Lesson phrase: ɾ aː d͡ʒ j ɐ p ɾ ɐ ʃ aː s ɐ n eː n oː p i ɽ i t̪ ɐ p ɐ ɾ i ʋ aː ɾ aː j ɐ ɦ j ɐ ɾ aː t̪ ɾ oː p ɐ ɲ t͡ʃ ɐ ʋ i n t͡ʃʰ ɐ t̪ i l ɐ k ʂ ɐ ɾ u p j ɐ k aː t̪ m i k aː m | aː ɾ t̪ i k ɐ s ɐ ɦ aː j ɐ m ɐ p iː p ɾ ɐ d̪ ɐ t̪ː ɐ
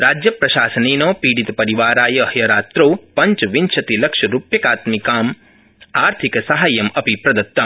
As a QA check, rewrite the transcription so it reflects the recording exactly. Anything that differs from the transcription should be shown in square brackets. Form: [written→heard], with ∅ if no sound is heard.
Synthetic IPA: ɾ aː d͡ʒ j ɐ p ɾ ɐ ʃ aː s ɐ n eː n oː p [i→iː] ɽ i t̪ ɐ p ɐ ɾ i ʋ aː ɾ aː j ɐ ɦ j ɐ ɾ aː t̪ ɾ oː p ɐ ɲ t͡ʃ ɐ ʋ i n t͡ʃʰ ɐ t̪ i l ɐ k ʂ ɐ ɾ u p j ɐ k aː t̪ m i k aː m | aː ɾ [t̪→t̪ʰ] i k ɐ s ɐ ɦ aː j ɐ m ɐ p [iː→i] p ɾ ɐ d̪ ɐ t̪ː ɐ